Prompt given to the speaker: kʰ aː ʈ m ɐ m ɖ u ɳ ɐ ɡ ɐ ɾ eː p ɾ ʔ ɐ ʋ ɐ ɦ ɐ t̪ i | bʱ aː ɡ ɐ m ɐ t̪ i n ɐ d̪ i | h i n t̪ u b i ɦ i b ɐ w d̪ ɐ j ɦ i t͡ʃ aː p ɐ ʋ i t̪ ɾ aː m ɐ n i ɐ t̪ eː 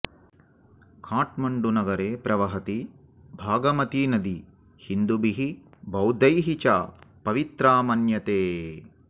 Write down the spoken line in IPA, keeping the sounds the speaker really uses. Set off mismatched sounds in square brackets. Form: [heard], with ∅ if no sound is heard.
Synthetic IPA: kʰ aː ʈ m ɐ [ɳ] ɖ u [n] ɐ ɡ ɐ ɾ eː p ɾ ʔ ɐ ʋ ɐ ɦ ɐ t̪ i | bʱ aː ɡ ɐ m ɐ t̪ i n ɐ d̪ i | h i n [d̪] u b i ɦ i b ɐ w d̪ ɐ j ɦ i t͡ʃ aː p ɐ ʋ i t̪ ɾ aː m ɐ n [j] ɐ t̪ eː